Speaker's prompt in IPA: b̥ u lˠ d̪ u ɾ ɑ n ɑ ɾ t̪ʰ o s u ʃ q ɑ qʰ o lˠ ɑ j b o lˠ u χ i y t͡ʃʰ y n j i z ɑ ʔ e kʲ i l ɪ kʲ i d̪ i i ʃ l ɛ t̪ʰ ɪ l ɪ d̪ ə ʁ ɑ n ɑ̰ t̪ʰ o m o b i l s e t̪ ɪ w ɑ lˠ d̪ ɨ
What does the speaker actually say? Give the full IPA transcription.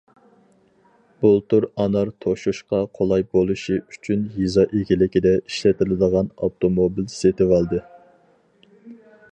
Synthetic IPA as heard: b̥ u lˠ t̪ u ɾ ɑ n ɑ ɾ t̪ʰ o ʃ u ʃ q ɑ qʰ o lˠ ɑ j b o lˠ u ʃ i y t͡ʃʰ y n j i z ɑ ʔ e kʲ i l ɪ kʲ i d̪ ɛ i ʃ l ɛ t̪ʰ ɪ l ɪ d̪ ə ʁ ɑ n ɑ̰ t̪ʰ o m o b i l s e t̪ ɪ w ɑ lˠ d̪ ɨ

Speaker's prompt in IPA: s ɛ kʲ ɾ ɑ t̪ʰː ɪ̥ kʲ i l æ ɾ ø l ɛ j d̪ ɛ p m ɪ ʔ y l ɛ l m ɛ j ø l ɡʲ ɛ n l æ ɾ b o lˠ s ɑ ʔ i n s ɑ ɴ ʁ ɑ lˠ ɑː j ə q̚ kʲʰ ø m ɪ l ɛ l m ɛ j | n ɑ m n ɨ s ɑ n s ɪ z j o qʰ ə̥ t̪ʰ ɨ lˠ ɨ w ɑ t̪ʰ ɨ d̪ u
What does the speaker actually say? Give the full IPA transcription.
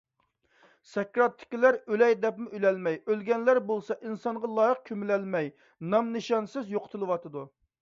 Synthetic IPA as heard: s ɛ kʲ ɾ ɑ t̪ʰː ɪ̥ kʲ i l æ ɾ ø l ɛ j d̪ ɛ p m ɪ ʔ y l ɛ l m ɛ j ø l ɡʲ ɛ n l æ ɾ b o lˠ s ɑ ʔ i n s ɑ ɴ ʁ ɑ lˠ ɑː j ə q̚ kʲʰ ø m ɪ l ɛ l m ɛ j | n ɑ m n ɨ ʃ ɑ n s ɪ z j o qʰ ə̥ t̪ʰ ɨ lˠ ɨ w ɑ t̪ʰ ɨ d̪ u

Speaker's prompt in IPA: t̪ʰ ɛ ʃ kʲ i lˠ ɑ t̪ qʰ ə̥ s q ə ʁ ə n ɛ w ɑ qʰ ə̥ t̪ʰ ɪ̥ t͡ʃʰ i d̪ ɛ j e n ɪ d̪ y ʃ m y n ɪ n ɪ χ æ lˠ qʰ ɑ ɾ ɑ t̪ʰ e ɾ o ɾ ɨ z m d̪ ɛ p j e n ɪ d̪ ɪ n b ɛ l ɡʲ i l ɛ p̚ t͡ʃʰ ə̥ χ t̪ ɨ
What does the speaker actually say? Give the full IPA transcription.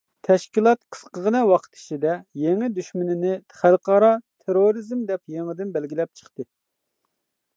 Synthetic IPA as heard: t̪ʰ ɛ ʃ kʲ i lˠ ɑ t̪ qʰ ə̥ s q ə ʁ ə n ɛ w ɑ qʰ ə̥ t̪ʰ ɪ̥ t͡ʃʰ i d̪ ɛ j e ŋ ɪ d̪ y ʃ m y n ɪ n ɪ χ æ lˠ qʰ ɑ ɾ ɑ t̪ʰ e ɾ o ɾ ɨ z m d̪ ɛ p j e ŋ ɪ d̪ ɪ n b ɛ l ɡʲ i l ɛ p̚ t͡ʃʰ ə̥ χ t̪ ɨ

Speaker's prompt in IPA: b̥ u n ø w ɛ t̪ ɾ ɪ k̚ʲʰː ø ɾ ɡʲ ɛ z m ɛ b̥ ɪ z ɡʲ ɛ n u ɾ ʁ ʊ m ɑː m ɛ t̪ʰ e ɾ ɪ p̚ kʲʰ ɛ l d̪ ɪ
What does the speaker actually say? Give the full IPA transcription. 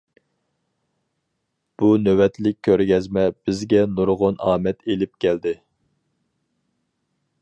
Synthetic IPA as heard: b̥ u n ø w ɛ t̪ l ɪ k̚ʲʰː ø ɾ ɡʲ ɛ z m ɛ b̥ ɪ z ɡʲ ɛ n u ɾ ʁ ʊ n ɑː m ɛ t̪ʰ e l ɪ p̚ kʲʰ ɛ l d̪ ɪ

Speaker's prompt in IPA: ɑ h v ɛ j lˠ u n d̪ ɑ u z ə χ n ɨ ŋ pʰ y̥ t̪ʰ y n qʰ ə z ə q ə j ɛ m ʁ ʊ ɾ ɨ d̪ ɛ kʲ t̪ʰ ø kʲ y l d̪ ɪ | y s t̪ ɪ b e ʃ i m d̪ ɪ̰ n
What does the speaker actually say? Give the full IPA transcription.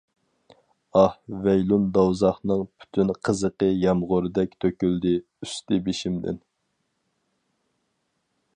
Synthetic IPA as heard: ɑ h v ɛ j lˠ u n d̪ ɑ w z ɑ χ n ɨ ŋ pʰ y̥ t̪ʰ y n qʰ ə z ə q ə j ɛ m ʁ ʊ ɾ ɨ d̪ ɛ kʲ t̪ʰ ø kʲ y l d̪ ɪ | y s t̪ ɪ b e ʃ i m d̪ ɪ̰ n

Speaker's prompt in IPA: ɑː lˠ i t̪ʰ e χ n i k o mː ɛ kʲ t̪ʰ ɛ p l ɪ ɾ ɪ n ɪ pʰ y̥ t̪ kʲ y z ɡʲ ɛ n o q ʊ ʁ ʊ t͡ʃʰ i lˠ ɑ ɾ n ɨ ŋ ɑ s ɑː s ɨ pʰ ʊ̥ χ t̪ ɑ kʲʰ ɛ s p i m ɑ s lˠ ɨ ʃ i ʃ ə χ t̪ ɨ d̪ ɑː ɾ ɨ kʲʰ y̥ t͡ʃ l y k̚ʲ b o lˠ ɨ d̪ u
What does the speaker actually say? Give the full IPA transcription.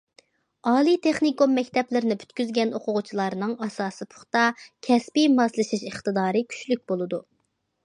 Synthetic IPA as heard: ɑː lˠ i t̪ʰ e χ n i k o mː ɛ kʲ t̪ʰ ɛ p l ɪ ɾ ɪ n ɪ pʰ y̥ t̪ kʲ y z ɡʲ ɛ n o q ʊ ʁ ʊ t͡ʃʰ i lˠ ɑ ɾ n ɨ ŋ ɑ s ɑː s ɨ pʰ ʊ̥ χ t̪ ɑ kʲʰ ɛ s p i m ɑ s lˠ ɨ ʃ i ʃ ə χ t̪ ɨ d̪ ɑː ɾ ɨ kʲʰ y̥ t͡ʃ l y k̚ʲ b o lˠ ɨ d̪ u

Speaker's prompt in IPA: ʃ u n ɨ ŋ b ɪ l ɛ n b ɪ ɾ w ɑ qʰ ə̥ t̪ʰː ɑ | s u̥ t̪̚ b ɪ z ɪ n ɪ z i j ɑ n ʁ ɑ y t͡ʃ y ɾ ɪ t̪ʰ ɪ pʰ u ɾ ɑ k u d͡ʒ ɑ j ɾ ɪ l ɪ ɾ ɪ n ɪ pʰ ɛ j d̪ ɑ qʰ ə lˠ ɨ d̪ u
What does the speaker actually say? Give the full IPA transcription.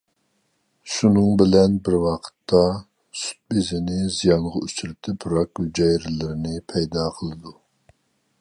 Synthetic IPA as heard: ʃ u n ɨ ŋ b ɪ l ɛ n b ɪ ɾ w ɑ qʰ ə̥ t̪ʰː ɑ | s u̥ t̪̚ b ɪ z ɪ n ɪ z i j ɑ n ʁ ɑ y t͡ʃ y ɾ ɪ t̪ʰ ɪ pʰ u ɾ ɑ k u d͡ʒ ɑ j ɾ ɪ l ɪ ɾ ɪ n ɪ pʰ ɛ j d̪ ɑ qʰ ə lˠ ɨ d̪ u

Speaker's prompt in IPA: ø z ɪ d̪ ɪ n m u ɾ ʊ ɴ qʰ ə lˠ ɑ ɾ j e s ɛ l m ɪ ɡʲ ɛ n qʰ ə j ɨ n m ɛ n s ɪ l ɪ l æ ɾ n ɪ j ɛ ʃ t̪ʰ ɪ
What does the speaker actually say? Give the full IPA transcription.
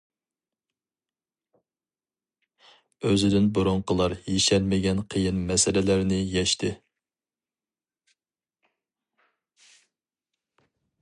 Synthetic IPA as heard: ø z ɪ d̪ ɪ n b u ɾ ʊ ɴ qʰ ə lˠ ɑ ɾ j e ʃ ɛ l m ɪ ɡʲ ɛ n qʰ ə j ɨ n m ɛ s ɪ l ɪ l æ ɾ n ɪ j ɛ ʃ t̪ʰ ɪ

